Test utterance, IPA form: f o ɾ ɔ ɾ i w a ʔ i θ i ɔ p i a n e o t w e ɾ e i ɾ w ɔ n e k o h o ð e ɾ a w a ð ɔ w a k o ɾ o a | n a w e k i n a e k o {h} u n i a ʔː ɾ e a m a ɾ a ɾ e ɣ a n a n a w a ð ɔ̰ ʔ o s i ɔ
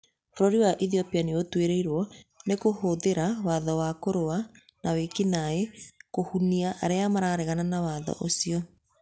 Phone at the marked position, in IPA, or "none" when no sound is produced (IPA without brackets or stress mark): h